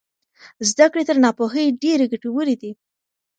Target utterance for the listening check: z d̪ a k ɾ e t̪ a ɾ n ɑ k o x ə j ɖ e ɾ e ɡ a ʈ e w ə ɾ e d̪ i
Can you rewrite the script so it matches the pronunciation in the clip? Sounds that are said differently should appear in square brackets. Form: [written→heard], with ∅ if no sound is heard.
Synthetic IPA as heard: z d̪ a k [ɾ→ɽ] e t̪ [a→ə] ɾ n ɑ [k→p] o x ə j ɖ e ɾ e ɡ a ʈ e w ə ɾ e d̪ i

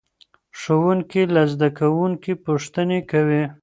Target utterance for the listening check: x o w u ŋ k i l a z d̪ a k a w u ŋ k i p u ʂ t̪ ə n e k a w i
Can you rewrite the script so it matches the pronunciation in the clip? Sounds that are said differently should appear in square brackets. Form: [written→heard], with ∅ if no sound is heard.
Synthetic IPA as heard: [x→ʂ] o w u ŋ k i l a z d̪ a k a w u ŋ k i p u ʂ t̪ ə n e k a w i

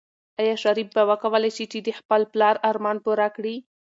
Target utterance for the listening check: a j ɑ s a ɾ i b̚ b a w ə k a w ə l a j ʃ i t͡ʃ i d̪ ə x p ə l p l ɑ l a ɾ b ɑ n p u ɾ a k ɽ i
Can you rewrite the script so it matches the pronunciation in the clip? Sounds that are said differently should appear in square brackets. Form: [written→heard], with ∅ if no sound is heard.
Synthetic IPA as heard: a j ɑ [s→ʃ] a ɾ i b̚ b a w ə k a w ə l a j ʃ i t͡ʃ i d̪ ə x p ə l p l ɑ [l→ɾ] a ɾ [b→m] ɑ n p u ɾ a k ɽ i

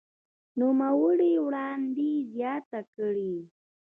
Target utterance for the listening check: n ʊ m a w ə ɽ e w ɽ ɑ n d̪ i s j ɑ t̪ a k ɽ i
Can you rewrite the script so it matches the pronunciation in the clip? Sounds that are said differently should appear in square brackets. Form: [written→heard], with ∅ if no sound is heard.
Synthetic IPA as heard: n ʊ m a w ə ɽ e w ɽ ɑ n d̪ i [s→z] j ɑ t̪ a k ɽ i

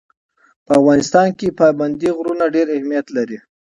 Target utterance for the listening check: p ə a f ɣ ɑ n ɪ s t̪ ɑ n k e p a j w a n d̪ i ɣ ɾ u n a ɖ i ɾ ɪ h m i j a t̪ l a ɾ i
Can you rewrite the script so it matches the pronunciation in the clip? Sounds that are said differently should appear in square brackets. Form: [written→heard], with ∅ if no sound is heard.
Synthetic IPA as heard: p ə a f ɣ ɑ n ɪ s t̪ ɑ n k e p [a→ɑ] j [w→b] a n d̪ i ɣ ɾ u n a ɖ [i→e] ɾ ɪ h m i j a t̪ l a ɾ i

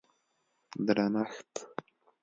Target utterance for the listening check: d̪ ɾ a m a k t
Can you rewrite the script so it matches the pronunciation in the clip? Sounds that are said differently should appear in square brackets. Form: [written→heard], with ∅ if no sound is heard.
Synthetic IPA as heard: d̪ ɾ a [m→n] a [k→x] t

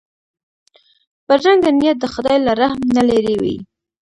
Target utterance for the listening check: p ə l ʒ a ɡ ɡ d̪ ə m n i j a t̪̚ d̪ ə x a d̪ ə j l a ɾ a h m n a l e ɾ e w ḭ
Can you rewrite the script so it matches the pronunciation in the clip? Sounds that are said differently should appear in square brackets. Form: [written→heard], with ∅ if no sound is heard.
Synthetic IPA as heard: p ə [l→ɾ] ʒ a [ɡ→ŋ] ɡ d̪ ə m n i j a t̪̚ d̪ ə x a d̪ [ə→ɑ] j l a ɾ a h m n a l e ɾ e w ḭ

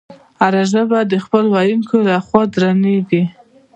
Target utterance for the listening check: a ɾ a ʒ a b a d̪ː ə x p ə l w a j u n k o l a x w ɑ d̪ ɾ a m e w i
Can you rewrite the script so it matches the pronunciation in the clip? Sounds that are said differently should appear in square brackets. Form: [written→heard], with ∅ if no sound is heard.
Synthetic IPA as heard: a ɾ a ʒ a b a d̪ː ə x p ə l w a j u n k o l a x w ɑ d̪ ɾ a [m→n] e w i

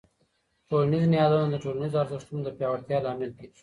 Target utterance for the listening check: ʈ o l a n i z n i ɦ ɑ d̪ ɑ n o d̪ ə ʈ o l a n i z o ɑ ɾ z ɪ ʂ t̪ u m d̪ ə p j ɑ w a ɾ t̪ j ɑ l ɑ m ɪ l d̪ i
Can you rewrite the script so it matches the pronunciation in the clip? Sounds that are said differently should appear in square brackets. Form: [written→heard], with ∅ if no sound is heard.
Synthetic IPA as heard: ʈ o l a n i z n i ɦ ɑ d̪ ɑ n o d̪ ə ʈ o l a n i z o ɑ ɾ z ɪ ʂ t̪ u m d̪ ə p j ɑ w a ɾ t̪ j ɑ l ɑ m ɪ l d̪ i

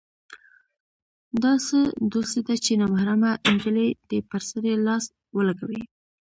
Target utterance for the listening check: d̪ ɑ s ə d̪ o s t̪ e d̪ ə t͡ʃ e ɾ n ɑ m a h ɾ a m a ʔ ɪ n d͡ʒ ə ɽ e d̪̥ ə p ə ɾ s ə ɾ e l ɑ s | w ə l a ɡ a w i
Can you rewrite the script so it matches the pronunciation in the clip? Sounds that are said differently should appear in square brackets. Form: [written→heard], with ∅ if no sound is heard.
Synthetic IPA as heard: d̪ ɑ s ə d̪ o s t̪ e d̪ [ə→a] t͡ʃ e [ɾ→∅] n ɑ m a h ɾ a m a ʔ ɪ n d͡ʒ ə [ɽ→l] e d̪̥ ə p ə ɾ s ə ɾ e l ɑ s | w ə l a ɡ a w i

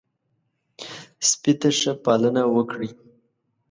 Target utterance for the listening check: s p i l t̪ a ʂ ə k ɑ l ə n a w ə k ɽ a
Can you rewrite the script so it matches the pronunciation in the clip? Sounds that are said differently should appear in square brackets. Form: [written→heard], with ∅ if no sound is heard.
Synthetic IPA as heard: s p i [l→∅] t̪ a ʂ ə [k→p] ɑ l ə n a w ə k ɽ [a→i]

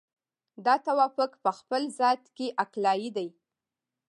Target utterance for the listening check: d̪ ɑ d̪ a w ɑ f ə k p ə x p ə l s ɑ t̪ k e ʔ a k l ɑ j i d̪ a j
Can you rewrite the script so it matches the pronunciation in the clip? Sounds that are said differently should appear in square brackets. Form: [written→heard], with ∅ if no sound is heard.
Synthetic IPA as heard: d̪ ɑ [d̪→t̪] a w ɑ f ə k p ə x p ə l [s→z] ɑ t̪ k e ʔ a k l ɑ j i d̪ a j

